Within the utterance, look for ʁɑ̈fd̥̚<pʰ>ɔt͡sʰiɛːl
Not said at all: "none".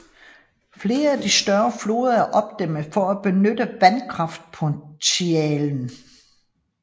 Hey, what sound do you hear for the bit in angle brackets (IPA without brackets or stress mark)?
pʰ